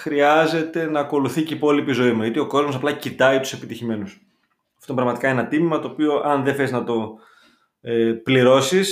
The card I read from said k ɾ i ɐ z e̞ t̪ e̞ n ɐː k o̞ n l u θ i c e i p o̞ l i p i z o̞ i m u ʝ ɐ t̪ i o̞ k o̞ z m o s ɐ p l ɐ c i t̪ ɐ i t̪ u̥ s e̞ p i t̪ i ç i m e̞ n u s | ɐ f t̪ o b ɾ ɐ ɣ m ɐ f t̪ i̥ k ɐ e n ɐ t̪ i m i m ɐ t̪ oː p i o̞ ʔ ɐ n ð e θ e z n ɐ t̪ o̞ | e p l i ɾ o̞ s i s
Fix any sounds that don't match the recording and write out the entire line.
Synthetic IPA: x ɾ i ɐ z e̞ t̪ e̞ n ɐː k o̞ l u θ i c e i p o̞ l i p i z o̞ i m u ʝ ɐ t̪ i o̞ k o̞ z m o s ɐ p l ɐ c i t̪ ɐ i t̪ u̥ s e̞ p i t̪ i ç i m e̞ n u s | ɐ f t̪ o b ɾ ɐ ɣ m ɐ t̪ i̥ k ɐ e n ɐ t̪ i m i m ɐ t̪ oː p i o̞ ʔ ɐ n ð e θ e z n ɐ t̪ o̞ | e p l i ɾ o̞ s i s